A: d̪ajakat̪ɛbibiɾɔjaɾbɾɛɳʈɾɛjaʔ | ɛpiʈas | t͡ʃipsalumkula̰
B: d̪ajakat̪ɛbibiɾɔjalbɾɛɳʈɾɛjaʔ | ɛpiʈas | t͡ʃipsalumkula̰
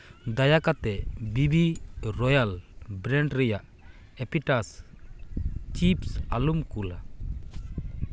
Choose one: B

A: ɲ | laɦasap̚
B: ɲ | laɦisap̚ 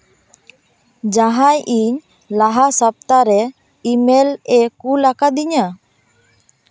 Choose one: A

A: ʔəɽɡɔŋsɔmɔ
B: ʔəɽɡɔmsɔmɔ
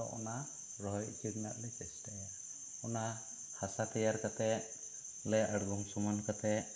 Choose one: A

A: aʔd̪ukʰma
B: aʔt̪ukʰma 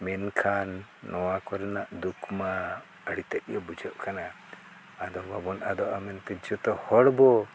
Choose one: A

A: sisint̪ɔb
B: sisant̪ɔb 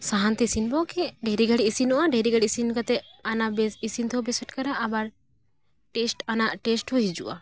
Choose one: A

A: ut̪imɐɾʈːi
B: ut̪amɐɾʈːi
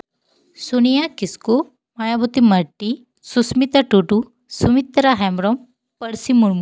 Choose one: A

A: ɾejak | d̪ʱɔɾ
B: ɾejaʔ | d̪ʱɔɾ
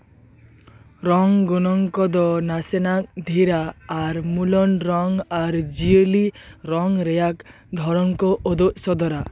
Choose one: A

